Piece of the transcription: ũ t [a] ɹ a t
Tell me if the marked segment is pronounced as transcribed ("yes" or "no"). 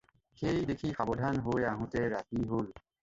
no